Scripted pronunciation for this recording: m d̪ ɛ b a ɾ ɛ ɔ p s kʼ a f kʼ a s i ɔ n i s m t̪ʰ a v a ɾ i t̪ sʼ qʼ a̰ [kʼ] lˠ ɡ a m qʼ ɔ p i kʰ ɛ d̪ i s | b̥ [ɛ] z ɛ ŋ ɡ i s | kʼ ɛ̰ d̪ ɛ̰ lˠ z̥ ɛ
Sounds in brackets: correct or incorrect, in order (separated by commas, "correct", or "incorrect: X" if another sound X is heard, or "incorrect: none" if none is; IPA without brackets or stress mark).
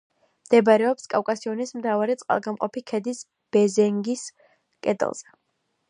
incorrect: none, correct